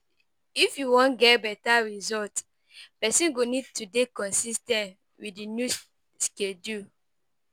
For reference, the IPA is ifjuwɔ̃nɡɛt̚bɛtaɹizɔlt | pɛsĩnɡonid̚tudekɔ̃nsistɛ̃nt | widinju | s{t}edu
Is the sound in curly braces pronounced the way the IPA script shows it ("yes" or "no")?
no